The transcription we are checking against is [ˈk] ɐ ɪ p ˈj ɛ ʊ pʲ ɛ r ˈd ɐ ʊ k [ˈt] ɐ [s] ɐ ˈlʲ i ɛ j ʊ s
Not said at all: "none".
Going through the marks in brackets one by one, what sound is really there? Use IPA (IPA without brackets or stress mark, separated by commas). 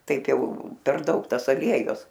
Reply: t, t, s